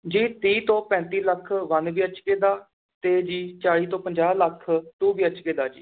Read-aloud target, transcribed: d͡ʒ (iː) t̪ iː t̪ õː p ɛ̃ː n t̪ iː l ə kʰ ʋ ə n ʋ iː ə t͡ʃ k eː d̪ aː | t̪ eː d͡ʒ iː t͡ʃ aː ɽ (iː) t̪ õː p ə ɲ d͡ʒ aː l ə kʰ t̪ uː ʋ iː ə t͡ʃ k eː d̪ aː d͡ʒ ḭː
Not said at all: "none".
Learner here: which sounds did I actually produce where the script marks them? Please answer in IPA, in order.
iː, iː

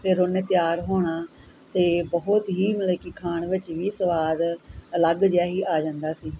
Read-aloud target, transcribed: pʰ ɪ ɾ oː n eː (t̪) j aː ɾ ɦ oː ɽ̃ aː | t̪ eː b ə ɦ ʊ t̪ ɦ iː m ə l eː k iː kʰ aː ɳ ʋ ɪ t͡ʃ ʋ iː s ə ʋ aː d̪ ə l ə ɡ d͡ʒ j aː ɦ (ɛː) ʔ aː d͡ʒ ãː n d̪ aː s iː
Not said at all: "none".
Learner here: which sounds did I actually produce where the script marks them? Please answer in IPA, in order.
t̪, iː

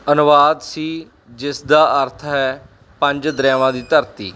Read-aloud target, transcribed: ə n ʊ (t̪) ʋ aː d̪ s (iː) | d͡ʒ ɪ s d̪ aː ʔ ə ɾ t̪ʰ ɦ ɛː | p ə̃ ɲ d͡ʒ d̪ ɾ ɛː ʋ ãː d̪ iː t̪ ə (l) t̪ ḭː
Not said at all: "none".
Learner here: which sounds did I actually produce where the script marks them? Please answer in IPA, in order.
none, iː, ɾ

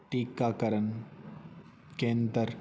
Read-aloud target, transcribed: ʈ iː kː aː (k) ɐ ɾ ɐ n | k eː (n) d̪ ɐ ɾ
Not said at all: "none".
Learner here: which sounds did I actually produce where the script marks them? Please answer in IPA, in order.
k, n

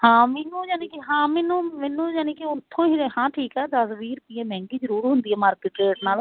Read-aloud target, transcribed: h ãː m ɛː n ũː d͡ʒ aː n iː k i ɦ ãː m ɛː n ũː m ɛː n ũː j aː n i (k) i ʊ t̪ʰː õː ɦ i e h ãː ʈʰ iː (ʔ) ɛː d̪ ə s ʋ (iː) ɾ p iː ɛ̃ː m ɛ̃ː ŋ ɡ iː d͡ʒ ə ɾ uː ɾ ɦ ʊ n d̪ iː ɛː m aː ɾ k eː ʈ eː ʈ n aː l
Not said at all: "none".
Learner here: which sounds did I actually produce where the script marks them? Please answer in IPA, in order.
k, k, iː

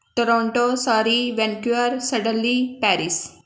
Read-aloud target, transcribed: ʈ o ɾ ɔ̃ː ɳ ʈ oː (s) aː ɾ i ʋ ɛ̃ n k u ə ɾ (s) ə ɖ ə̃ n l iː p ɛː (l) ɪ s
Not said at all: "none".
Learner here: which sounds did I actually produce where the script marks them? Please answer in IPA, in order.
s, s, ɾ

